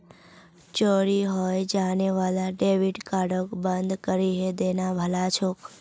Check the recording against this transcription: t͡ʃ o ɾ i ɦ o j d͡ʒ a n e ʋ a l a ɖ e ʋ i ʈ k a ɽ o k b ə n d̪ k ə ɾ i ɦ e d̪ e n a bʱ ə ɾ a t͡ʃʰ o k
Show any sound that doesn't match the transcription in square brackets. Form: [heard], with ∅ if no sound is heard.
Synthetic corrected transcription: t͡ʃ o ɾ i ɦ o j d͡ʒ a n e ʋ a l a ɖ e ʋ i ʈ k a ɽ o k b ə n d̪ k ə ɾ i ɦ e d̪ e n a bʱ ə [l] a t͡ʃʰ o k